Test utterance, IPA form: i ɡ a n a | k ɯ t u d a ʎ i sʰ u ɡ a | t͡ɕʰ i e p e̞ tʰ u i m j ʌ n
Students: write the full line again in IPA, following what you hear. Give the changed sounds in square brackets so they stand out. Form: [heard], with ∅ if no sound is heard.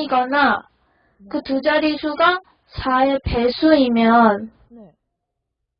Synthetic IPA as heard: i ɡ [ʌ] n a | k ɯ t u [d͡ʑ] a [ɾ] i sʰ u ɡ a | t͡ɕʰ [a] e p e̞ [sʰ] u i m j ʌ n